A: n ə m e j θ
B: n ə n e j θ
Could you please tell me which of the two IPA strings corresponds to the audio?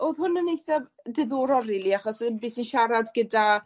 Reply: B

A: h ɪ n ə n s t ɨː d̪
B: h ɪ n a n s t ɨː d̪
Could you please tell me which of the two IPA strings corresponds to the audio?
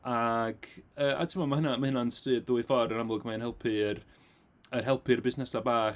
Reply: B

